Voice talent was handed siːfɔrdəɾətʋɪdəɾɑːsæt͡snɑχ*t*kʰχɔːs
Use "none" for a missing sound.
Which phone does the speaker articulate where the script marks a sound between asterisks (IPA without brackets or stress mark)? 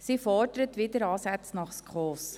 s